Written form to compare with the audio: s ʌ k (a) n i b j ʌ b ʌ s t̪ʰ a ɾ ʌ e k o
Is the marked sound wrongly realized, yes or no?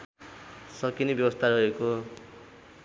yes